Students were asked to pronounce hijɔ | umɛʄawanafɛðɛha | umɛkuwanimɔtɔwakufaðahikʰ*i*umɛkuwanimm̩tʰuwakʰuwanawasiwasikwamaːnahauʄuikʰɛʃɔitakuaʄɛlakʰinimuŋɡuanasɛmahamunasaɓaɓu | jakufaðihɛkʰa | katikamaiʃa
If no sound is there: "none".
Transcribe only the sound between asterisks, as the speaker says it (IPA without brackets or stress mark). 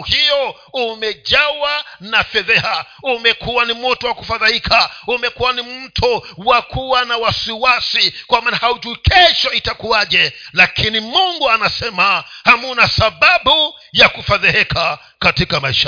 a